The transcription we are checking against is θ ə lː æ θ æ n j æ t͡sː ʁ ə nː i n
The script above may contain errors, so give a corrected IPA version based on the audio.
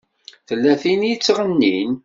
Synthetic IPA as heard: θ ə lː æ θ i n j i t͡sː ʁ ə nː i n